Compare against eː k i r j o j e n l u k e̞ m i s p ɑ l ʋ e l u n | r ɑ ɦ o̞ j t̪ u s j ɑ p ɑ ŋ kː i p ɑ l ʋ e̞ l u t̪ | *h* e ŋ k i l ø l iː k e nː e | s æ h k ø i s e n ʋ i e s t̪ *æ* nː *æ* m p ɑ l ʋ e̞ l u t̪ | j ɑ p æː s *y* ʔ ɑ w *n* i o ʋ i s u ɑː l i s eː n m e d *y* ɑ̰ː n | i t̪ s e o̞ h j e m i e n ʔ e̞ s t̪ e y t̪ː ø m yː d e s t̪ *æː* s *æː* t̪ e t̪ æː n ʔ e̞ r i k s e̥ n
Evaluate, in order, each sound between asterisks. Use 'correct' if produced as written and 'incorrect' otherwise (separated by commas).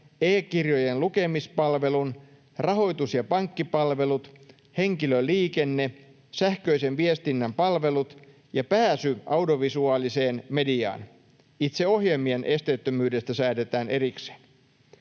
correct, incorrect, correct, correct, incorrect, incorrect, incorrect, correct